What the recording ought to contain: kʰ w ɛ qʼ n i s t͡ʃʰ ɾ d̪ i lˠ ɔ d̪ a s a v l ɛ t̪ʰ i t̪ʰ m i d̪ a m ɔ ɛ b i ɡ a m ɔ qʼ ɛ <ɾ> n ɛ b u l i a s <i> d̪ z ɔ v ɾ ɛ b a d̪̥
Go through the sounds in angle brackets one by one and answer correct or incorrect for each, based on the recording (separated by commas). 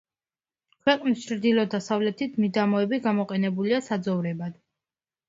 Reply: incorrect, incorrect